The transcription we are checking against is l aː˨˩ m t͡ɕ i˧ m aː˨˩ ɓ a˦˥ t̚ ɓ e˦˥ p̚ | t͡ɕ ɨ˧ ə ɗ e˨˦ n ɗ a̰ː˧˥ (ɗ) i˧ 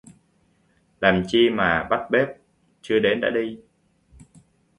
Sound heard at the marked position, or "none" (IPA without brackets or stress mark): ɗ